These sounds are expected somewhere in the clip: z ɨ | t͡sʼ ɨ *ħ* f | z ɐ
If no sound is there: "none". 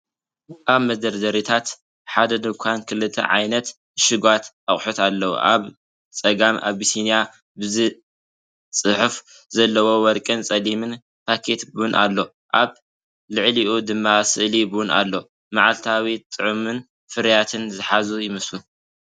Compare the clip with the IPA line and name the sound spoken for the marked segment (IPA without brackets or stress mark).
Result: ħ